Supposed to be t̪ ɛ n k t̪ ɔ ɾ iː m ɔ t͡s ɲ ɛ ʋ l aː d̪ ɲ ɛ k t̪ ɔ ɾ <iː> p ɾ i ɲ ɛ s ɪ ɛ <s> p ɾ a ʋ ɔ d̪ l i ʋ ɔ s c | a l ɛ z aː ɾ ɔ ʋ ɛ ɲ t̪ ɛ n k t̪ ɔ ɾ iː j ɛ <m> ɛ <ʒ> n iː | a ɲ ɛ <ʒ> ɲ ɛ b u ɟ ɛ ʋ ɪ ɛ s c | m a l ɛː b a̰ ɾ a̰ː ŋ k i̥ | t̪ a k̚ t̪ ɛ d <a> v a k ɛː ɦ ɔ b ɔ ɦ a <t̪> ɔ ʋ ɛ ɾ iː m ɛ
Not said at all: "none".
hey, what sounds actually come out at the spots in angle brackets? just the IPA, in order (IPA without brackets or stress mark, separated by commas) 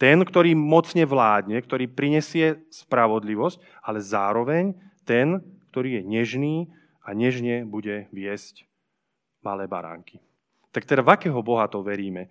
iː, s, ɲ, ʒ, ʒ, a, t̪